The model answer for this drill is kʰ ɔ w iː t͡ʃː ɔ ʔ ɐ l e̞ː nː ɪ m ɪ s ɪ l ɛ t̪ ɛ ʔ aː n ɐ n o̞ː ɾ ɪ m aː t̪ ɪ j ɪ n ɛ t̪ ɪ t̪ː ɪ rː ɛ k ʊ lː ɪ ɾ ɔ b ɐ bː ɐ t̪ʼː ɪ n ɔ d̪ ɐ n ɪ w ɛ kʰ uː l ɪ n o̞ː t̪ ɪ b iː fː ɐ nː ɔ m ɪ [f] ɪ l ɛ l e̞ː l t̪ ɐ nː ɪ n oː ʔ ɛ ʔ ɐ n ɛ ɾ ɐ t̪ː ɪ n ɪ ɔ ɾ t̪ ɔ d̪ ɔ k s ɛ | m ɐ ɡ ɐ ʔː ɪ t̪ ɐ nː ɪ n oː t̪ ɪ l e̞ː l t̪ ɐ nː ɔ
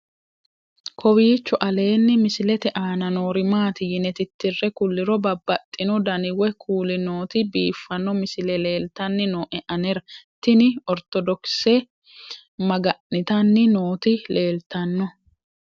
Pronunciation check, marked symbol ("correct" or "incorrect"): incorrect